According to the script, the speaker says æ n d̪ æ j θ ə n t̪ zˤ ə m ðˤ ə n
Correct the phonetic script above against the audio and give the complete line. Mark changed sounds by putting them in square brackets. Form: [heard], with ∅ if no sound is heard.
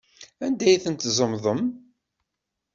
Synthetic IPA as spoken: æ n d̪ æ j θ ə n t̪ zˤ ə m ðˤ ə [m]